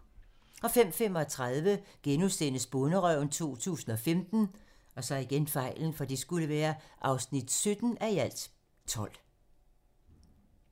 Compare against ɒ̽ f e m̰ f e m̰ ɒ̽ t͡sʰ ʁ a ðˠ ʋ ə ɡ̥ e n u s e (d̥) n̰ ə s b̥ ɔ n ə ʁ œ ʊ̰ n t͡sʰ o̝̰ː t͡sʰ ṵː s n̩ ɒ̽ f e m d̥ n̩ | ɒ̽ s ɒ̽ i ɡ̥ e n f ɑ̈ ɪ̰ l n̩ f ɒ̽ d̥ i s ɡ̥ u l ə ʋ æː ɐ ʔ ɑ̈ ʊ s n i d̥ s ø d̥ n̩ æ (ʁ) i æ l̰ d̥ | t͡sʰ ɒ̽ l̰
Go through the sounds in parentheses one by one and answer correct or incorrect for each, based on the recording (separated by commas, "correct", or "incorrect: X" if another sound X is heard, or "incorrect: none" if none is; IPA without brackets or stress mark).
incorrect: none, incorrect: none